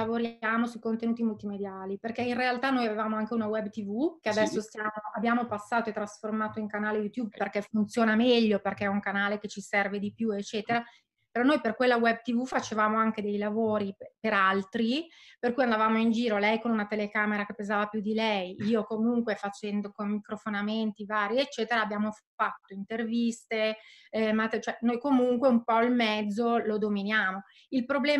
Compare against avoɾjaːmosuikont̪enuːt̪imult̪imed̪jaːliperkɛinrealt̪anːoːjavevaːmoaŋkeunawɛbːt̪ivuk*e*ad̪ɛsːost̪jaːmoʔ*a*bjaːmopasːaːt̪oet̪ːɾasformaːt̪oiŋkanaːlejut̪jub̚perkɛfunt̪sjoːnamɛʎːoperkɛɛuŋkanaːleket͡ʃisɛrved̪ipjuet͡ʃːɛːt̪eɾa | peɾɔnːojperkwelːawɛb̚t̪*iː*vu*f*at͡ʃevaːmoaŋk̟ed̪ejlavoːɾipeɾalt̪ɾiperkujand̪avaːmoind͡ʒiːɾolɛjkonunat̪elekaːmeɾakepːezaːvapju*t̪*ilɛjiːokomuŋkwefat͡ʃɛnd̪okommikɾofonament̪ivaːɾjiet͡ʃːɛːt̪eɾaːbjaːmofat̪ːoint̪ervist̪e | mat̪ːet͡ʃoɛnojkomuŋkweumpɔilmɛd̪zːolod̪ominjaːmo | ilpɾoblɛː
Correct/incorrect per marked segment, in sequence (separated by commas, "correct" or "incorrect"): correct, correct, incorrect, correct, incorrect